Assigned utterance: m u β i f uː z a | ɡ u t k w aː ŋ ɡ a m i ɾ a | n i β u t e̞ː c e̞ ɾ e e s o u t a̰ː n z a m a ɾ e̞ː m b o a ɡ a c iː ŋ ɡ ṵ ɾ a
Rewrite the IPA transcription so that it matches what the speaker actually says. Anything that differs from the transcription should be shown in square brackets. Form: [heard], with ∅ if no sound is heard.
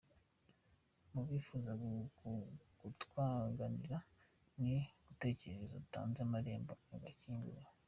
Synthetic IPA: m u β i f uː z a | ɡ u t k w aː ŋ ɡ a [n] i ɾ a | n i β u t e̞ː c e̞ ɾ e e [z] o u t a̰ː n z a m a ɾ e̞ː m b o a ɡ a c iː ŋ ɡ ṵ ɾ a